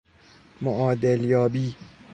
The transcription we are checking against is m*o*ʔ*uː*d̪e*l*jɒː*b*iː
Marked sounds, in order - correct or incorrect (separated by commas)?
correct, incorrect, correct, correct